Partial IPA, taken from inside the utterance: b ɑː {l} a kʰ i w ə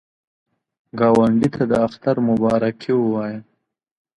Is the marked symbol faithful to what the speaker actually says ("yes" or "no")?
no